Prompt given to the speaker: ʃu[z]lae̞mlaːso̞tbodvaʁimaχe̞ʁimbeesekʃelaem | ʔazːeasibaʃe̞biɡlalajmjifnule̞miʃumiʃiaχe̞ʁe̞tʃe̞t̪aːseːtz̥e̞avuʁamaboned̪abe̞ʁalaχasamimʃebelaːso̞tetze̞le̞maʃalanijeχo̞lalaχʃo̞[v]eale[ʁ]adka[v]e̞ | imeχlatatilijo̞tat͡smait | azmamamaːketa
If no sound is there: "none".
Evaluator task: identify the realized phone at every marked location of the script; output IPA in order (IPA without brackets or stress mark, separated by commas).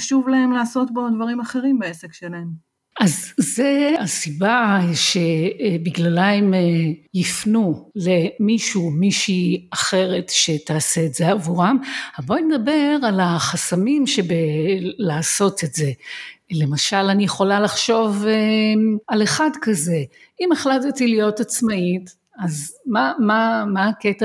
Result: v, v, χ, z